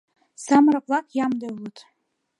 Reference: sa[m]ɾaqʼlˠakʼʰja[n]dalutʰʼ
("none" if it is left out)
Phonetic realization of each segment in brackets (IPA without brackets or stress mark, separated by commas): m, m